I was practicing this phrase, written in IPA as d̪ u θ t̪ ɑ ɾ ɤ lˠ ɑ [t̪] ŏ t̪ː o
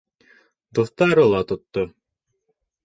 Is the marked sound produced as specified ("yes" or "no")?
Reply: yes